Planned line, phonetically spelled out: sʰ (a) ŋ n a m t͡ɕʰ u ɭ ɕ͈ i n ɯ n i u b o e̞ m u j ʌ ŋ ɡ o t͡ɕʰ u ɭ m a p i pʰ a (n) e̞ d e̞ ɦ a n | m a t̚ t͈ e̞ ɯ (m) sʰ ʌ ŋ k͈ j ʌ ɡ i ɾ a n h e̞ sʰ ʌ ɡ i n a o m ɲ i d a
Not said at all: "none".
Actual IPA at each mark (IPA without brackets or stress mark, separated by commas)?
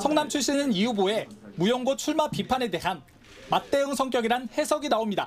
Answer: ʌ, n, ŋ